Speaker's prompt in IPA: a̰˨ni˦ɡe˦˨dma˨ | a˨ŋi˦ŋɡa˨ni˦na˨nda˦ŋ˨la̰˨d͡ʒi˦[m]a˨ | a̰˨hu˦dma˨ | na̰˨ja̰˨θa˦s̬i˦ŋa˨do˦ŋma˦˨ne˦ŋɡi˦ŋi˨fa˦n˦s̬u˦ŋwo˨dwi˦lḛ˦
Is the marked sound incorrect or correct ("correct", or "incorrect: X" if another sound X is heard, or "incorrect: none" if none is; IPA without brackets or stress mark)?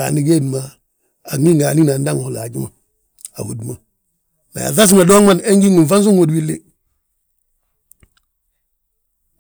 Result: correct